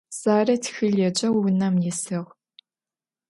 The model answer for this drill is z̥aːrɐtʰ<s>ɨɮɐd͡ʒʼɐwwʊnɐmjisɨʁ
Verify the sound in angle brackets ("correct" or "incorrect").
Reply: incorrect